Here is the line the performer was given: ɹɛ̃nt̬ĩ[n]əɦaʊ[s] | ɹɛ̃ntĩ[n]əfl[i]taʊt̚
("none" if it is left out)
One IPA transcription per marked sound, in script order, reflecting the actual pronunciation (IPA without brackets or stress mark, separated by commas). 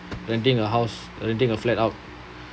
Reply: ŋ, s, ŋ, ɛ